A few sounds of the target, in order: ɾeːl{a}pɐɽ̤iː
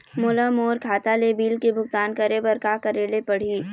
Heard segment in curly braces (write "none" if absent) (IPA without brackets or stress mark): e